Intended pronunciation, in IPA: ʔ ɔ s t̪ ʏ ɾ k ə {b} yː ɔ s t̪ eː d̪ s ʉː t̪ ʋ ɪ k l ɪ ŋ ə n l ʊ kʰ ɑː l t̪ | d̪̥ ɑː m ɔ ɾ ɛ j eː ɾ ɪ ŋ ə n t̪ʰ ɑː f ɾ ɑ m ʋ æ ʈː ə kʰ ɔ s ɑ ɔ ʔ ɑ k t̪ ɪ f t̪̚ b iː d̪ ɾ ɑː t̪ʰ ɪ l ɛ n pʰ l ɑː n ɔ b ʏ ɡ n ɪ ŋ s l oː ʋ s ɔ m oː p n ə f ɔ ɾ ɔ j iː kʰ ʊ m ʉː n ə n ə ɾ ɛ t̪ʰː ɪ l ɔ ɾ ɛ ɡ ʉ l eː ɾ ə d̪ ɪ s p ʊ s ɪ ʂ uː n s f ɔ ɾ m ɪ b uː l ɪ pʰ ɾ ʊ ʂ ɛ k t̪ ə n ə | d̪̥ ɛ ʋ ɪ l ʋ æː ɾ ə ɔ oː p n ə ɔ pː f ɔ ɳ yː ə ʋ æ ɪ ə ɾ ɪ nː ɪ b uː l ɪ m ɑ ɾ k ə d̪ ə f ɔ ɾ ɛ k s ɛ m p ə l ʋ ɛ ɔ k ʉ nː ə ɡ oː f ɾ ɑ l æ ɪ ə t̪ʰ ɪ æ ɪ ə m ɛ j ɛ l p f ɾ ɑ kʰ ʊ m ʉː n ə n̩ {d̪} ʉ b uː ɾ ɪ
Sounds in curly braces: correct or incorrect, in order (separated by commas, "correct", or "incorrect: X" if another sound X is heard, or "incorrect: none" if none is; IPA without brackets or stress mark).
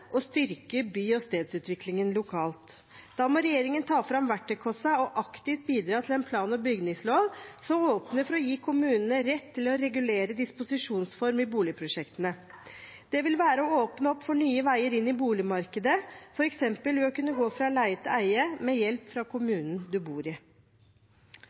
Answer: correct, correct